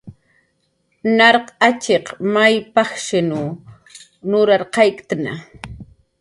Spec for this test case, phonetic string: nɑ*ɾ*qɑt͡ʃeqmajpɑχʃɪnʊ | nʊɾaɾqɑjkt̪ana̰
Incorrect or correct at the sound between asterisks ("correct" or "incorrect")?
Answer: correct